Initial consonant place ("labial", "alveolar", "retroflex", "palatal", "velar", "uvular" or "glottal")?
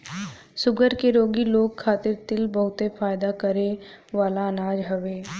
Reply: alveolar